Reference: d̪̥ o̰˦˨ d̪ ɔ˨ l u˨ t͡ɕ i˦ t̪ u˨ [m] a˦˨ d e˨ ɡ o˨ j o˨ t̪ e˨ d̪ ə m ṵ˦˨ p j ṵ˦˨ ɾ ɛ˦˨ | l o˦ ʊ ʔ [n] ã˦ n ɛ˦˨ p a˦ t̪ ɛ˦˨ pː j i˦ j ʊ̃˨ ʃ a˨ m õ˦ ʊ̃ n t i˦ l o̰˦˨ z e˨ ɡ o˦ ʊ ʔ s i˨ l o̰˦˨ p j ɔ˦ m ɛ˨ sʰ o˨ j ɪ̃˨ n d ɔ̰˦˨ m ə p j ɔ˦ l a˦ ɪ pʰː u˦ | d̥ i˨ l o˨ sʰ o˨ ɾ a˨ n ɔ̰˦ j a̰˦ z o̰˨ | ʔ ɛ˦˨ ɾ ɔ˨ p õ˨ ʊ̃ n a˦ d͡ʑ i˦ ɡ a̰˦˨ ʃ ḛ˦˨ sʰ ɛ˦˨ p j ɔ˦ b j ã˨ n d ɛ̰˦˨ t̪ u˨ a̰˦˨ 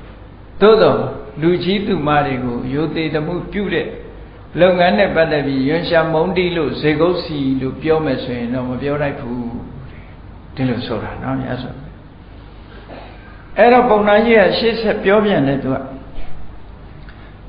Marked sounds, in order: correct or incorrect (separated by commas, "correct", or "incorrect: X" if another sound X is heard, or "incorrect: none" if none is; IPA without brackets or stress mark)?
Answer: correct, incorrect: ŋ